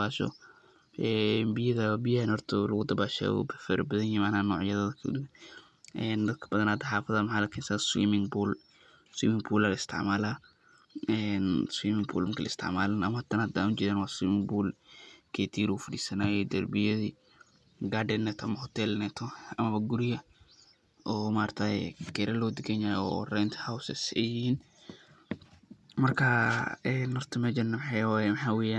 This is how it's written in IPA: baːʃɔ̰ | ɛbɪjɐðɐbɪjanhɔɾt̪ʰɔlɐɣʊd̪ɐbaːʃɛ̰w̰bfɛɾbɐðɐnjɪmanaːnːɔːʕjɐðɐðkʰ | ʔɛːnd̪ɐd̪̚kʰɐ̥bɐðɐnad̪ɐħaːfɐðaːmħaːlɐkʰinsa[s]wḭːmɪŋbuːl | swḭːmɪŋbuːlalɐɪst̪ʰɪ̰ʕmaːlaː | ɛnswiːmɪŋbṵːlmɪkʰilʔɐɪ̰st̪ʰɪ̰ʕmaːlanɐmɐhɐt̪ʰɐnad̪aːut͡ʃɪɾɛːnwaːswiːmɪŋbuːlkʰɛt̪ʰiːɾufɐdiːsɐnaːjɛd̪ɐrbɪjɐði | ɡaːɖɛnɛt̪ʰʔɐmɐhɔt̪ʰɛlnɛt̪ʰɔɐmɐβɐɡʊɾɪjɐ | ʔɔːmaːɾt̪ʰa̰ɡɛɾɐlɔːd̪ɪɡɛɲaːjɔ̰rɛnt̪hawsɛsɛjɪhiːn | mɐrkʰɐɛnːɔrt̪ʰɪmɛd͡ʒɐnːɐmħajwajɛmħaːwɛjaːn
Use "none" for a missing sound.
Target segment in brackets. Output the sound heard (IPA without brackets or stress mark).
s